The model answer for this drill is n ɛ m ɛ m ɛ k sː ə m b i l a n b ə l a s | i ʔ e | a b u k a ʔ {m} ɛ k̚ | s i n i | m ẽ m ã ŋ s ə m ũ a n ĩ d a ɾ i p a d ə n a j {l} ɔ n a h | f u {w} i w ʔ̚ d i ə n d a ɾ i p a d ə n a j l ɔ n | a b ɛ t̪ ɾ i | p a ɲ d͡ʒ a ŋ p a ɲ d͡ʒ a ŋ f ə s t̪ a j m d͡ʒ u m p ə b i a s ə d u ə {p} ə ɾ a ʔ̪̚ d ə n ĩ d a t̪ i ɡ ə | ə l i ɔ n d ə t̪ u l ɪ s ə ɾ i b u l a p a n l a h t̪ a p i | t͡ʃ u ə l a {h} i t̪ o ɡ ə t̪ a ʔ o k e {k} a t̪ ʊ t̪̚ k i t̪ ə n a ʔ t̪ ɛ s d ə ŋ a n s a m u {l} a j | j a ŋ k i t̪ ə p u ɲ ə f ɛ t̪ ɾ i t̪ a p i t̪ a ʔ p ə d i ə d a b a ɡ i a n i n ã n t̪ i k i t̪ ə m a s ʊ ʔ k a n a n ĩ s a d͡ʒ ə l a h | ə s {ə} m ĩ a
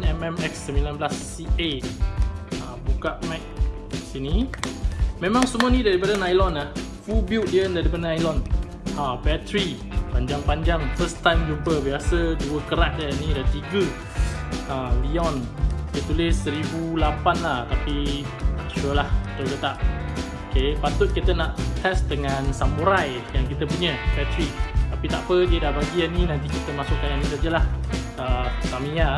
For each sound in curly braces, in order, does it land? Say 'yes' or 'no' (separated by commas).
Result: yes, yes, no, no, yes, no, no, no